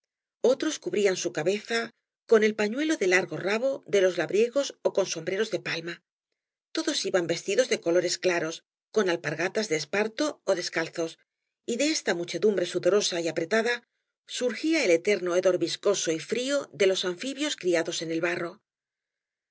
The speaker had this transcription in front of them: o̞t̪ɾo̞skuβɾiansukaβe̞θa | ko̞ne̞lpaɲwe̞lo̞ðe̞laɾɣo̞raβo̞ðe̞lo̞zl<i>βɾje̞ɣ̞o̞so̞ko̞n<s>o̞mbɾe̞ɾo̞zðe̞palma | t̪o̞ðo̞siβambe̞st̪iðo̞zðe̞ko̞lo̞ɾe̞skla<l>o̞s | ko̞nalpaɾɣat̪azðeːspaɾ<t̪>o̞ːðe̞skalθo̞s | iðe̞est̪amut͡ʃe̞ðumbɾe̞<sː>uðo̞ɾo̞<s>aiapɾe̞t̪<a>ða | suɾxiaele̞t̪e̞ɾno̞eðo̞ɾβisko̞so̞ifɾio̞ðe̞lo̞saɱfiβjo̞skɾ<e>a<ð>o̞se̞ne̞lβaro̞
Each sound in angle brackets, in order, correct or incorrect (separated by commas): incorrect, correct, incorrect, correct, incorrect, correct, correct, incorrect, correct